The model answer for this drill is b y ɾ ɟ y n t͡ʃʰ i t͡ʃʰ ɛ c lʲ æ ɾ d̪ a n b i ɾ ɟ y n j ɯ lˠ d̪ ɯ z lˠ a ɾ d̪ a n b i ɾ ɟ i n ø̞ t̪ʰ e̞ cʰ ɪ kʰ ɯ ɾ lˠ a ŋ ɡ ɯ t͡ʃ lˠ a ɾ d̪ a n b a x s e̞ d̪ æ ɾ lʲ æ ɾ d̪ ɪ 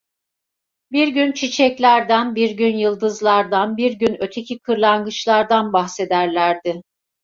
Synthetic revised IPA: b i ɾ ɟ y n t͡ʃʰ i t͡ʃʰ ɛ c lʲ æ ɾ d̪ æ n b i ɾ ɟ y n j ɯ lˠ d̪ ɯ z lˠ a ɾ d̪ a n b i ɾ ɟ y n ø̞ t̪ʰ e̞ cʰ i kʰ ɯ ɾ lˠ a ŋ ɡ ɯ t͡ʃ lˠ a ɾ d̪ a n b a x s e̞ d̪ æ ɾ lʲ æ ɾ d̪ ɪ